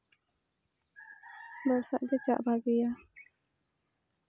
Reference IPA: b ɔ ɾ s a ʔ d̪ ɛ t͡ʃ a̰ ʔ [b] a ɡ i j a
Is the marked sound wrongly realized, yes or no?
no